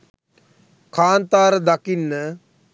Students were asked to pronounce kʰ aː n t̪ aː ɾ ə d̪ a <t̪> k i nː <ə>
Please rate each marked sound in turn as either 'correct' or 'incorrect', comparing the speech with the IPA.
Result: incorrect: none, correct

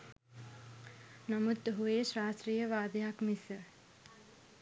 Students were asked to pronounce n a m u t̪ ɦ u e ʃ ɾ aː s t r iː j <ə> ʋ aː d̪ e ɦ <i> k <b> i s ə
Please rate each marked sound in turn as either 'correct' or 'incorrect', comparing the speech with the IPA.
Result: correct, incorrect: a, incorrect: m

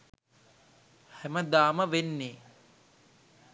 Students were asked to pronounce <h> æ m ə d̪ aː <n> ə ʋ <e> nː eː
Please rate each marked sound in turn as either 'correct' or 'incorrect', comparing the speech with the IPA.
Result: correct, incorrect: m, correct

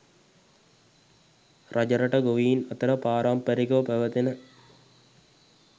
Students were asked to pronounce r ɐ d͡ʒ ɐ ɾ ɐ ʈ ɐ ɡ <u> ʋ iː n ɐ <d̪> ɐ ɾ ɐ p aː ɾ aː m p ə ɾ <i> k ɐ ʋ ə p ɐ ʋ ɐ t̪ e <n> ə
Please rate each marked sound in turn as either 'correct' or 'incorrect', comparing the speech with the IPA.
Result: incorrect: o, incorrect: t̪, correct, correct

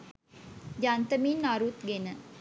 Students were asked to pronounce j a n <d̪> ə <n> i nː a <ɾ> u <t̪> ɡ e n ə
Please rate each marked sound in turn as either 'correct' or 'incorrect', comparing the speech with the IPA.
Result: incorrect: t̪, incorrect: m, correct, correct

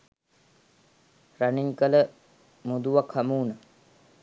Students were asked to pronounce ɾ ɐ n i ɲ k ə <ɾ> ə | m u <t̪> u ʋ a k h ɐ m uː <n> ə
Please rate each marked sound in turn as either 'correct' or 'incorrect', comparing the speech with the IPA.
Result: incorrect: l, incorrect: d̪, correct

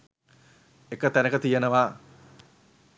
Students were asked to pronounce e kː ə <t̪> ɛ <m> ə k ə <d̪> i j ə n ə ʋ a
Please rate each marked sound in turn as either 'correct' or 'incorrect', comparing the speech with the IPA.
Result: correct, incorrect: n, incorrect: t̪

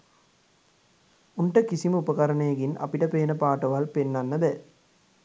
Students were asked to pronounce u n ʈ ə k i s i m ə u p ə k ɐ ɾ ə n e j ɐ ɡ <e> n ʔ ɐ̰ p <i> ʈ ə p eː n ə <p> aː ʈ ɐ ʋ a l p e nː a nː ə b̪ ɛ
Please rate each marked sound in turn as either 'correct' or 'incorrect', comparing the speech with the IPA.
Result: incorrect: i, correct, correct

